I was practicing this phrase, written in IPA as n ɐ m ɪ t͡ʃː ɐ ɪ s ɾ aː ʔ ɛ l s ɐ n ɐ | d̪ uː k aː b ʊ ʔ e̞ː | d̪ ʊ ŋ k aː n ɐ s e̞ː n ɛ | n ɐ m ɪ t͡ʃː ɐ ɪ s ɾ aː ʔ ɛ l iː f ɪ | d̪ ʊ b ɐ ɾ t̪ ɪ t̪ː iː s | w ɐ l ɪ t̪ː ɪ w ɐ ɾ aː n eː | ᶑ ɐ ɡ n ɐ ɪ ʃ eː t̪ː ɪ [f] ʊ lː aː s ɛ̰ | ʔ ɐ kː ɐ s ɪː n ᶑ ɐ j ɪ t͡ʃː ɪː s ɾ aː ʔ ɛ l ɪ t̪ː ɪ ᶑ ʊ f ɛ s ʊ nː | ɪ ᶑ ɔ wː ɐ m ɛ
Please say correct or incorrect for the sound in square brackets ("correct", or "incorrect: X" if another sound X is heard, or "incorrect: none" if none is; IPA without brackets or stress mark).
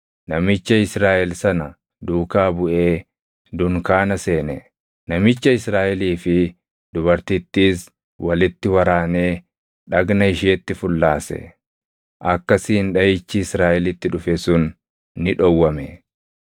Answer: correct